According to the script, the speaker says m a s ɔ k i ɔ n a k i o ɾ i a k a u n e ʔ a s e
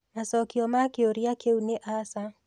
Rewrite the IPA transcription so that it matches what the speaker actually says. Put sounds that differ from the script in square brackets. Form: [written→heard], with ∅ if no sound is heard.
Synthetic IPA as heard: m a s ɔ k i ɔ [n→m] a k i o ɾ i a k [a→e] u n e ʔ a s [e→a]